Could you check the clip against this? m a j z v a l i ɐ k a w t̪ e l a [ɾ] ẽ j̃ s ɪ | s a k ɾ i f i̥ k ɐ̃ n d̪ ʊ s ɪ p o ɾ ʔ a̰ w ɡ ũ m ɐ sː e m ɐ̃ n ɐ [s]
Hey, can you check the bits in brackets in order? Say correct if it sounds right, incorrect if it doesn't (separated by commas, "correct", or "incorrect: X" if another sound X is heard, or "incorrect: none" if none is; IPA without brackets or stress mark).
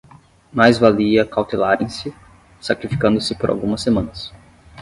correct, correct